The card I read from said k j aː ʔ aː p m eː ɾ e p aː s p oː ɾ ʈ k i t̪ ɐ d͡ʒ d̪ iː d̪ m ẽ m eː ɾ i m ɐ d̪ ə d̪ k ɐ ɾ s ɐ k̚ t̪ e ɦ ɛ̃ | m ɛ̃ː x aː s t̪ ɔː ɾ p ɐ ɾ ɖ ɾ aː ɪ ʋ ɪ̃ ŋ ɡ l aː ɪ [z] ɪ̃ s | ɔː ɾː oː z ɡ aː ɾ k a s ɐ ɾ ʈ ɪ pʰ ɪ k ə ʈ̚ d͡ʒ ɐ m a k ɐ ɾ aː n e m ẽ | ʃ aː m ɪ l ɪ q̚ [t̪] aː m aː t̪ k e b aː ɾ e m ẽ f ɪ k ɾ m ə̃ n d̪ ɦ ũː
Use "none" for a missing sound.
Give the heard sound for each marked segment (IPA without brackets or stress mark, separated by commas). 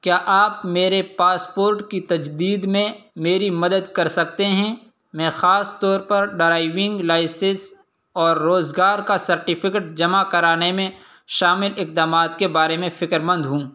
s, d̪